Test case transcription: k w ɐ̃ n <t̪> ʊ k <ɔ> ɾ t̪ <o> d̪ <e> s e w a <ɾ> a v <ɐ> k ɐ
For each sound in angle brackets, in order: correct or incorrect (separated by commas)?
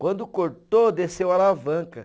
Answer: incorrect, incorrect, correct, correct, incorrect, incorrect